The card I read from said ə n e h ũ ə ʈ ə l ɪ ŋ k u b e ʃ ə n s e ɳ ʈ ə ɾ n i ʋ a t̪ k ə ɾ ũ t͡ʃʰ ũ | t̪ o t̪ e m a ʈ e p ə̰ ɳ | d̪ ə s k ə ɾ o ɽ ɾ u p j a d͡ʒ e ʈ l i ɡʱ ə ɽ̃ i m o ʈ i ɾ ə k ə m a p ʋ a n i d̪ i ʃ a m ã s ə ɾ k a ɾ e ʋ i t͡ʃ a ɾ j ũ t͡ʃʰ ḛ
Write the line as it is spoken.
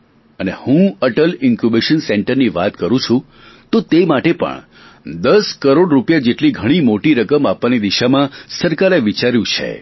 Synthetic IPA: ə n e h ũ ə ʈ ə l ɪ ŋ k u b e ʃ ə n s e ɳ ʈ ə ɾ n i ʋ a t̪ k ə ɾ ũ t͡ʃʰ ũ | t̪ o t̪ e m a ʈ e p ə̰ ɳ | d̪ ə s k ə ɾ o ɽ ɾ u p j a d͡ʒ e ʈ l i ɡʱ ə ɽ̃ i m o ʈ i ɾ ə k ə m a p ʋ a n i d̪ i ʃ a m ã s ə ɾ k a ɾ e ʋ i t͡ʃ a ɾ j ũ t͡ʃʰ ḛ